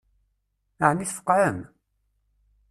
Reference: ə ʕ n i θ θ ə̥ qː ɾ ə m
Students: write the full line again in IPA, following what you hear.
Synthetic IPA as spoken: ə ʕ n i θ f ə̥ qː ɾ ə m

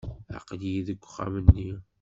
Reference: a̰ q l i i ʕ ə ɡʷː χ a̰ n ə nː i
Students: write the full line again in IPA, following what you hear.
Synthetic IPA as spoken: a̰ q l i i ð ə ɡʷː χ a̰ m ə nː i

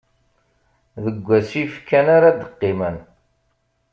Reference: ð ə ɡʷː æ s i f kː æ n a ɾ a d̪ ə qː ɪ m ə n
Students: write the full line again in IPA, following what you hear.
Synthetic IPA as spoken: ð ə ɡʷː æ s i f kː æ n a ɾ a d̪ ə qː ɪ m ə n

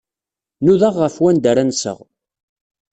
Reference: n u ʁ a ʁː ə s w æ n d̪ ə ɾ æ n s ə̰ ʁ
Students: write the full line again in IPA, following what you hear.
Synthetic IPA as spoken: n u ð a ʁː ə f w æ n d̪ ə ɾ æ n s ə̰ ʁ

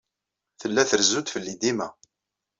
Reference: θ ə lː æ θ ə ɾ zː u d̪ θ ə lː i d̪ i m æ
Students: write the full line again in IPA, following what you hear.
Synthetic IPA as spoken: θ ə lː æ θ ə ɾ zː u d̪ f ə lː i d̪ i m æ

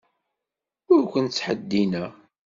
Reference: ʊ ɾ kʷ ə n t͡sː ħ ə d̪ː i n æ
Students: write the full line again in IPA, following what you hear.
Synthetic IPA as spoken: ʊ ɾ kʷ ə n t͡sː ħ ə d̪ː i n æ

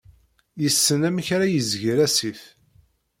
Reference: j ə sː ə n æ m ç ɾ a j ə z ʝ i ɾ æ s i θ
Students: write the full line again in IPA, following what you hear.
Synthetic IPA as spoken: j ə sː ə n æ m ç ɾ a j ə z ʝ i ɾ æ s i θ

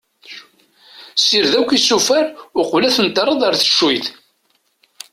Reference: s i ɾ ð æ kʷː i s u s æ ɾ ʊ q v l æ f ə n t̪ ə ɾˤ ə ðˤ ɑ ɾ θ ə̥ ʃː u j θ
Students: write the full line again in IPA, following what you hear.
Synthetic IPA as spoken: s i ɾ ð æ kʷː i s u f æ ɾ ʊ q v l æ θ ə n t̪ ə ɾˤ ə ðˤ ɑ ɾ θ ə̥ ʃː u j θ

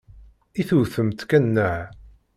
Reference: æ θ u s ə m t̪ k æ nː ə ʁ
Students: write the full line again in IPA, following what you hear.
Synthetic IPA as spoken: i θ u θ ə m t̪ k æ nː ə ʕ

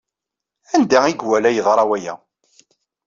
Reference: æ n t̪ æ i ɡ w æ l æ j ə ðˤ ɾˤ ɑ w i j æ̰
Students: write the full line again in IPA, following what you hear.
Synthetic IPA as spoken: æ n d̪ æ i ɡ w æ l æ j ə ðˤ ɾˤ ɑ w æ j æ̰

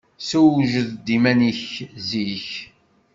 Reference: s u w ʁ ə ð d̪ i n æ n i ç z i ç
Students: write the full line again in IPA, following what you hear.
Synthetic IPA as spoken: s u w ʒ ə ð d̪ i m æ n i ç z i ç

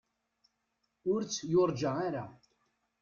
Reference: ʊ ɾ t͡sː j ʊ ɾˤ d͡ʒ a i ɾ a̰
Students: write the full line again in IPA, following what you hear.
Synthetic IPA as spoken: ʊ ɾ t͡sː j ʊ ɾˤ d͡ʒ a a ɾ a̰

